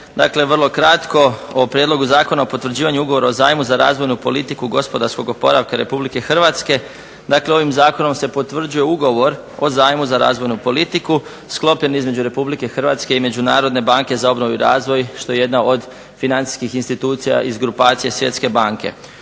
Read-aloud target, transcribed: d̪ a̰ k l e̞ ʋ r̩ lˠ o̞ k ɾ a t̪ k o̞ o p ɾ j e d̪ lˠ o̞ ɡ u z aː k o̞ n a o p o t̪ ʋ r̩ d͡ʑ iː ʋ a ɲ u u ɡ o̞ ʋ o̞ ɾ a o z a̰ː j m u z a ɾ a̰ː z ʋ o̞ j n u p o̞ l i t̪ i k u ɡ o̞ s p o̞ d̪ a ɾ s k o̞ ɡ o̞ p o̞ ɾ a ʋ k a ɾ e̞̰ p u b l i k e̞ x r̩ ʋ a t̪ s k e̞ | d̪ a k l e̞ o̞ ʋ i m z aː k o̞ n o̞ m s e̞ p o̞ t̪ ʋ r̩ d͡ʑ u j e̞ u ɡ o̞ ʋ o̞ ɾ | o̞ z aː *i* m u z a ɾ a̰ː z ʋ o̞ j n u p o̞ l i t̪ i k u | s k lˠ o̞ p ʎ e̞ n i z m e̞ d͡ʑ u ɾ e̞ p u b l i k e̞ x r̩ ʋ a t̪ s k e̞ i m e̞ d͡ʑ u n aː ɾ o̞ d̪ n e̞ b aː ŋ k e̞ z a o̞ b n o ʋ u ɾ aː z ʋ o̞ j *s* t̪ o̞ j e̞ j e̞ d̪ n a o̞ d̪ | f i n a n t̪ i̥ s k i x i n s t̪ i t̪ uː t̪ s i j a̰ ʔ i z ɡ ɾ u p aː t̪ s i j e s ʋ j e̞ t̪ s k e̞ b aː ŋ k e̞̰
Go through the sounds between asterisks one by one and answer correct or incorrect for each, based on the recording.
incorrect, incorrect

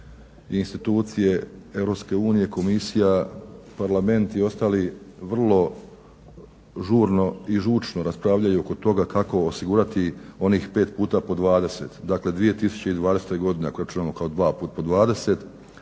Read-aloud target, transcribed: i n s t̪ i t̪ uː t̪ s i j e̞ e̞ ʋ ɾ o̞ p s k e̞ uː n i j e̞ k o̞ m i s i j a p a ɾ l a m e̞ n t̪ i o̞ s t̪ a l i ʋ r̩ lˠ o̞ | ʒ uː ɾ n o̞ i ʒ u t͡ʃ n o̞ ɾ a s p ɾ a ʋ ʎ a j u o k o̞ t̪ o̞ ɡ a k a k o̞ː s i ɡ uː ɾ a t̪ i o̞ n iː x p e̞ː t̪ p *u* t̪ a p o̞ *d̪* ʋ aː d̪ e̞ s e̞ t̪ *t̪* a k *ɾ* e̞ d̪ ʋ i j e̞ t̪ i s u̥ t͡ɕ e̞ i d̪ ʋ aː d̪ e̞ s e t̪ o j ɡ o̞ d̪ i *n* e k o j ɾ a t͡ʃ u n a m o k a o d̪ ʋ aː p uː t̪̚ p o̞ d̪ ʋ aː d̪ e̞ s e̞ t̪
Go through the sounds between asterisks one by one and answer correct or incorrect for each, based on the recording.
incorrect, correct, incorrect, incorrect, correct

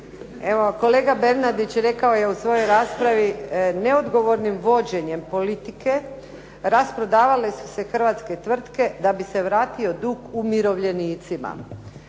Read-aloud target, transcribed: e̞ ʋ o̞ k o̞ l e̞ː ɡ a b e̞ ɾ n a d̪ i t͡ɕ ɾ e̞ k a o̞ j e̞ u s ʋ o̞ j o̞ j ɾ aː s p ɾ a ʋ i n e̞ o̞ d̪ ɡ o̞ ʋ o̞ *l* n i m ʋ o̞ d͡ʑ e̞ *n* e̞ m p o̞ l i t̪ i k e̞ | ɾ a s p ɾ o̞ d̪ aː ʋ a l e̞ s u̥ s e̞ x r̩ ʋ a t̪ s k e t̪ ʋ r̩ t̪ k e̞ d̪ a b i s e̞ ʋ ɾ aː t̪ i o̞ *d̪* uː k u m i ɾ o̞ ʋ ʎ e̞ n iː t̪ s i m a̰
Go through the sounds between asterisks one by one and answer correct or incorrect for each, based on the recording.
incorrect, incorrect, correct

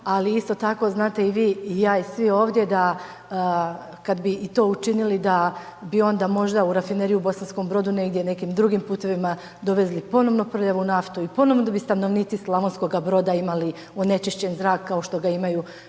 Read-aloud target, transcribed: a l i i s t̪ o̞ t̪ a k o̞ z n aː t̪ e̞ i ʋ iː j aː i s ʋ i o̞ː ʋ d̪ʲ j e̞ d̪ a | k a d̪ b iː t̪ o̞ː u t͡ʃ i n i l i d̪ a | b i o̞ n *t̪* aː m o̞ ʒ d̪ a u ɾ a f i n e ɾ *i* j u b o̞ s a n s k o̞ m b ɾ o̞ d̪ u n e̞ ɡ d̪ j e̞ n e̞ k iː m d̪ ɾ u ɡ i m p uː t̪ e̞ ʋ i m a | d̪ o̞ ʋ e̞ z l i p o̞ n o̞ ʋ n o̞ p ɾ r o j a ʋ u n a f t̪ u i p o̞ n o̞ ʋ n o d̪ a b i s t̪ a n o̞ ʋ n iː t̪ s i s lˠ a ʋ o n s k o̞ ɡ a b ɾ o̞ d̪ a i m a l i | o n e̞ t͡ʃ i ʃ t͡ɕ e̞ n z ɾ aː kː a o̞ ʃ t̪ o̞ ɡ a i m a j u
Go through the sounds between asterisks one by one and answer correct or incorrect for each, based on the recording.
incorrect, correct

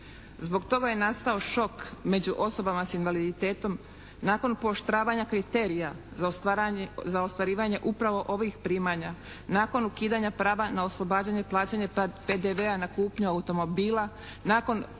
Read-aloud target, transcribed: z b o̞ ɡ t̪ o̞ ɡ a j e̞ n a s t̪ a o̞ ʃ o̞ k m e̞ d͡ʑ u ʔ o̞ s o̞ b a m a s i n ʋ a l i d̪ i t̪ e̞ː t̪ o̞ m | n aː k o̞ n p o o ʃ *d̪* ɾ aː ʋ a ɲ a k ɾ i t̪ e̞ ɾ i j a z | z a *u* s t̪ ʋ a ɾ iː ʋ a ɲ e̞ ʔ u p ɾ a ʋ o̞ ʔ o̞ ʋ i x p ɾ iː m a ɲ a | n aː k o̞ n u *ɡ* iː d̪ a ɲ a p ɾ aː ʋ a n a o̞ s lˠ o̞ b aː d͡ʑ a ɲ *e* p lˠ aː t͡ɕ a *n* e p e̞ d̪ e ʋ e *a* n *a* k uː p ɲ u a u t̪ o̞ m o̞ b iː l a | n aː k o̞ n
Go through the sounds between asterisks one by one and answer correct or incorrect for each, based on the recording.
incorrect, incorrect, incorrect, correct, incorrect, correct, correct

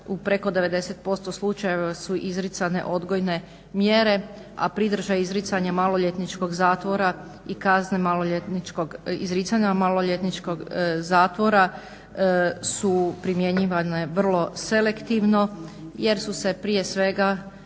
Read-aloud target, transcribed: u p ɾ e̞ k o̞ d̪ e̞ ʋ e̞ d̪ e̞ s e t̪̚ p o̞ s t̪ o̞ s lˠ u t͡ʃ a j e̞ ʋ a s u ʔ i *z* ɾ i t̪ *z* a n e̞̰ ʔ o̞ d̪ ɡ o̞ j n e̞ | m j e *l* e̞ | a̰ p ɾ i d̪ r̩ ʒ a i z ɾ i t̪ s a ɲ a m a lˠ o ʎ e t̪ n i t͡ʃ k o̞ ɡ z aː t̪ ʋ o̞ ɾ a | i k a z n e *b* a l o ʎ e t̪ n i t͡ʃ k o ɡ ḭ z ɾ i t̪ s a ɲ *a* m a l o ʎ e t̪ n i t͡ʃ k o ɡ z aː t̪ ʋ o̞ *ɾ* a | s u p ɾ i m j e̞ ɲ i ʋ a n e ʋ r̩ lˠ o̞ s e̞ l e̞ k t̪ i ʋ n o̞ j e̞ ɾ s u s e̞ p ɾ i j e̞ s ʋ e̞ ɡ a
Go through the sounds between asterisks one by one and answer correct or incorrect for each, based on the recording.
correct, incorrect, incorrect, incorrect, correct, correct

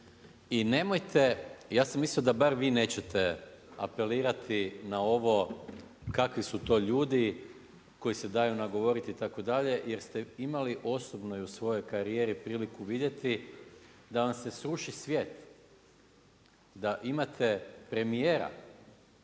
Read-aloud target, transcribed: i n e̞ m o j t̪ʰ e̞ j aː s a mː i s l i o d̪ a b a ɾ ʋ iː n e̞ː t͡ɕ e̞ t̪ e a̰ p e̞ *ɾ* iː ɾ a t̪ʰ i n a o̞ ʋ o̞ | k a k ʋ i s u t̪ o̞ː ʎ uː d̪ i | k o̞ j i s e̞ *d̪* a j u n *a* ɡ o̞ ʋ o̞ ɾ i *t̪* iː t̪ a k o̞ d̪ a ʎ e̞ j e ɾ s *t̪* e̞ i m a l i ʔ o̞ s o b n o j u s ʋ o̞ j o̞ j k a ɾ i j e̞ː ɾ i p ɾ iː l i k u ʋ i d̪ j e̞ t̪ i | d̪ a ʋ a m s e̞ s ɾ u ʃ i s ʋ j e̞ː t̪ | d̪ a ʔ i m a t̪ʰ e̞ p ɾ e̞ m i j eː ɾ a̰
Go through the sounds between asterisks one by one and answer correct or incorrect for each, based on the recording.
incorrect, correct, correct, correct, correct

